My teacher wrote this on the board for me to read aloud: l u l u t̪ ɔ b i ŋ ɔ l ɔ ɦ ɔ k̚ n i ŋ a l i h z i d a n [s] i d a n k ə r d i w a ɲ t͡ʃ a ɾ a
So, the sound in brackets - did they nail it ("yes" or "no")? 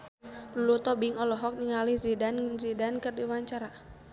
no